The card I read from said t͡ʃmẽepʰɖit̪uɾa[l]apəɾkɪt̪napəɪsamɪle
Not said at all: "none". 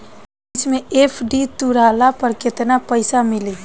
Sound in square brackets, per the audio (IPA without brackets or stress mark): l